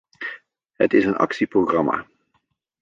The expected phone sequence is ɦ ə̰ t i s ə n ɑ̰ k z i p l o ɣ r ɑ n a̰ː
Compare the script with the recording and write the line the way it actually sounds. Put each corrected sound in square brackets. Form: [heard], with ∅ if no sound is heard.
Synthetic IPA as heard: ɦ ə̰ t [ɪ] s ə n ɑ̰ k [s] i p [r] o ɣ r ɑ [m] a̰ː